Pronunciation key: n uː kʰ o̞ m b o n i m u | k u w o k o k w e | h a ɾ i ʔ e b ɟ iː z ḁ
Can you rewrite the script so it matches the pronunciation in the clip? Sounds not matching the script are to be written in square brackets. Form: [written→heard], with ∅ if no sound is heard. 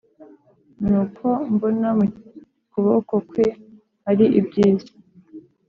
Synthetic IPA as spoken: n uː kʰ o̞ m b o n [i→a] m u | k u [w→β] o k o k w e | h a ɾ i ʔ [e→i] b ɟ iː z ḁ